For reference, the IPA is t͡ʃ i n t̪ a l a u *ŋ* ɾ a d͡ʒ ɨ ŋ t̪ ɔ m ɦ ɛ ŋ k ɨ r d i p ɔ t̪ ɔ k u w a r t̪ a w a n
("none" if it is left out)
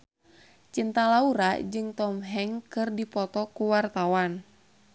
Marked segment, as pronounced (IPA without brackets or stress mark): none